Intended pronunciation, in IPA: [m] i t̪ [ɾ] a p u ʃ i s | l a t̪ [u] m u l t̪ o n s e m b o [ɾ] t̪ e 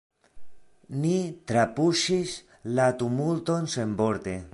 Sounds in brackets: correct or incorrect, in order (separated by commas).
incorrect, correct, correct, correct